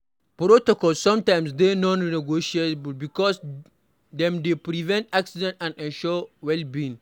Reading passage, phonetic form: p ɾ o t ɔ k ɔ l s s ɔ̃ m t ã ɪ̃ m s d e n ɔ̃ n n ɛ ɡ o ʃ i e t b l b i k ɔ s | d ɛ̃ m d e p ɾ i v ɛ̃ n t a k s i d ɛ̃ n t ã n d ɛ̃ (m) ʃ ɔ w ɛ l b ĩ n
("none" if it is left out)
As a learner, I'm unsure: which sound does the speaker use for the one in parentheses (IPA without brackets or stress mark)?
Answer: n